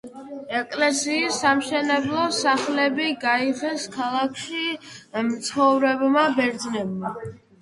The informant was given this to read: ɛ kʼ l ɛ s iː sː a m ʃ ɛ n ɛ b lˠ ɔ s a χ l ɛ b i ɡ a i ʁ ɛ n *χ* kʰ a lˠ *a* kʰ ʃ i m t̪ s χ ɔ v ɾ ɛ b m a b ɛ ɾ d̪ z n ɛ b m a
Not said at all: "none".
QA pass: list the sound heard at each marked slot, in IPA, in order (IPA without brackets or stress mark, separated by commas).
s, a